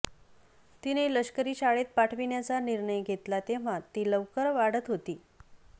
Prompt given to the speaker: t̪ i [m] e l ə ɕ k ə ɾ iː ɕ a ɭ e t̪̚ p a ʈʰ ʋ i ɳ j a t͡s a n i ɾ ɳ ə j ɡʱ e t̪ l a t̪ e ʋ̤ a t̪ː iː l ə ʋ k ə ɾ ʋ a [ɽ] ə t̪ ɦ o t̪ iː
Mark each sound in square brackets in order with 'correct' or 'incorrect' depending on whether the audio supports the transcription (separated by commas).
incorrect, correct